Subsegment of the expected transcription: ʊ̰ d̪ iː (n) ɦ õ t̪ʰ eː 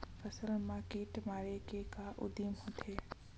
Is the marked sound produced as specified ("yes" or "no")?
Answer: no